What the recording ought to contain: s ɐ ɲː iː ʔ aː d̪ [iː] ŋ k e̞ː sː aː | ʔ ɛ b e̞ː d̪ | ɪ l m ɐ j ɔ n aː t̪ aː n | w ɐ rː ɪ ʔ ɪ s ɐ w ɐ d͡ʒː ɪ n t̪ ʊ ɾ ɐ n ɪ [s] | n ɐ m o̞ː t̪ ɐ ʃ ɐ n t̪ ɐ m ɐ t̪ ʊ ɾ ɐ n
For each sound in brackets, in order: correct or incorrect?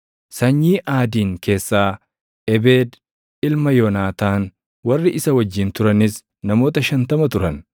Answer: correct, correct

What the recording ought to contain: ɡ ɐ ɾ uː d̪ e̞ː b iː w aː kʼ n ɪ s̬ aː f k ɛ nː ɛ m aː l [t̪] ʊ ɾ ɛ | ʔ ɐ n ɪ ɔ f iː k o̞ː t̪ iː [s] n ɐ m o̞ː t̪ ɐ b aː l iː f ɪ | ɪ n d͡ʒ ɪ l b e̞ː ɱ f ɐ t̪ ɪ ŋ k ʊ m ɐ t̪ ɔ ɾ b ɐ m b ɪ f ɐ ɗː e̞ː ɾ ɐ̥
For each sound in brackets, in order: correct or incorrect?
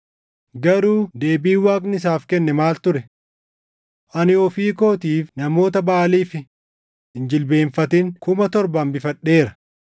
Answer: correct, incorrect: f

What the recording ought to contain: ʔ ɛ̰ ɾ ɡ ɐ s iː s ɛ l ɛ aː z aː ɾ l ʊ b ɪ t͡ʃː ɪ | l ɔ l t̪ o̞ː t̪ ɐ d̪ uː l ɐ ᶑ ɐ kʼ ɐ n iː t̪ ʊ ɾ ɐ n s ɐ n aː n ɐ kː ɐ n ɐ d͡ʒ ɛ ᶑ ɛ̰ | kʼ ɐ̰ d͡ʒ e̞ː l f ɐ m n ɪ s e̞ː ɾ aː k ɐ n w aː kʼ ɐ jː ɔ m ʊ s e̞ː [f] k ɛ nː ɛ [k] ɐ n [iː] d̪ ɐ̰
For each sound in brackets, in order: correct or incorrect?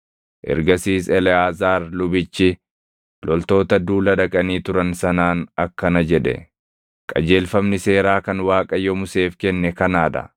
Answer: correct, correct, incorrect: aː

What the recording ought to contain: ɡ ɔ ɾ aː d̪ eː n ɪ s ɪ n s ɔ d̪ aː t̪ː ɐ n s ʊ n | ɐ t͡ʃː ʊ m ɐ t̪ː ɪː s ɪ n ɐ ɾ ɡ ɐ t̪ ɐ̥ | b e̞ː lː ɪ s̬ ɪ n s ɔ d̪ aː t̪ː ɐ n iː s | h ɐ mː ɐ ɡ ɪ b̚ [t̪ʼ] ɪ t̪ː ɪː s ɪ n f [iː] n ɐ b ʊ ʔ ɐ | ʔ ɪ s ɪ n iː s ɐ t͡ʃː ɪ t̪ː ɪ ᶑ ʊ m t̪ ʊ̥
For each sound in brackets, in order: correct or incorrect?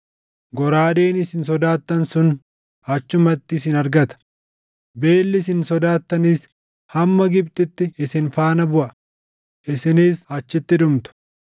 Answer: incorrect: t̪, incorrect: aː

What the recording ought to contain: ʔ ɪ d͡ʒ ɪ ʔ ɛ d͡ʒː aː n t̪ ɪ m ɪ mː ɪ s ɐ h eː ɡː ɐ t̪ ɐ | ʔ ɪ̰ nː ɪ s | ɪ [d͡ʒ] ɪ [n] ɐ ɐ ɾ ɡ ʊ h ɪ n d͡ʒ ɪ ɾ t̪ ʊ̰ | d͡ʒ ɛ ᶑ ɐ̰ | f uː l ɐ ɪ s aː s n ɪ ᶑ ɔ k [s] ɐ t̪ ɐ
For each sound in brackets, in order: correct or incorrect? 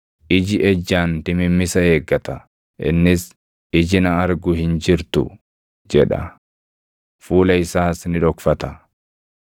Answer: correct, correct, incorrect: f

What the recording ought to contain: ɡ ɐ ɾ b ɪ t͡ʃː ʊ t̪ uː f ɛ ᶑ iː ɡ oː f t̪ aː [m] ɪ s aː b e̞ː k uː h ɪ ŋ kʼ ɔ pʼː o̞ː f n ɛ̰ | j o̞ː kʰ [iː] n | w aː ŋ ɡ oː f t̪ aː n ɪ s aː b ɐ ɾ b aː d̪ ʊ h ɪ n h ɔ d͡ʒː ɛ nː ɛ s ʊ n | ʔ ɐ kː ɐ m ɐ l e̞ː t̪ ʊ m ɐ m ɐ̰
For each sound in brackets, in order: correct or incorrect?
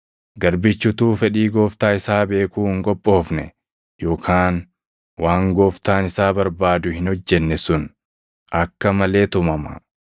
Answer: incorrect: none, incorrect: aː

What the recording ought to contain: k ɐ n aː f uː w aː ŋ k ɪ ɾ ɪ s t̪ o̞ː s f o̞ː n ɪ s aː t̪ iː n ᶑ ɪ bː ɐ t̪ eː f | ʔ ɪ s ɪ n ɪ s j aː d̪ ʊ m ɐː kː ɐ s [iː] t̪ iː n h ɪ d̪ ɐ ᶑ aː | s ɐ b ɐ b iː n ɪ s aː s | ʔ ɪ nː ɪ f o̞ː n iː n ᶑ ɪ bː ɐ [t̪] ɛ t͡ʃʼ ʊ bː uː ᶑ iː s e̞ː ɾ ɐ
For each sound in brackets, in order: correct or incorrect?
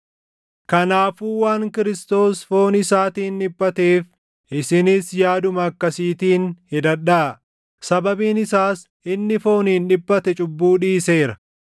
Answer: correct, correct

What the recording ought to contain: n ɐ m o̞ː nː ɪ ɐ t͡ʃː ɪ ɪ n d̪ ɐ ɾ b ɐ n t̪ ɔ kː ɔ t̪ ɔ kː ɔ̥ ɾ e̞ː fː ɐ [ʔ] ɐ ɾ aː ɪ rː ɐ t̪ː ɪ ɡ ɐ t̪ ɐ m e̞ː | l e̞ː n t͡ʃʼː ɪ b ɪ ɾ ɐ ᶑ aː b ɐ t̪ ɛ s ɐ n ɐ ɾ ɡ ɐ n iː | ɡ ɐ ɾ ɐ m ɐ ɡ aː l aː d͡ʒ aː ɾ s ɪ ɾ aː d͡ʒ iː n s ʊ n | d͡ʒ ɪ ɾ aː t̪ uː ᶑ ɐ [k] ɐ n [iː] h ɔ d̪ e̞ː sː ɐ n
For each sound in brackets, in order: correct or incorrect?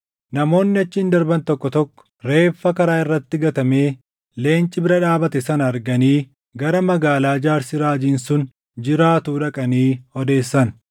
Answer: incorrect: k, incorrect: kʼ, correct

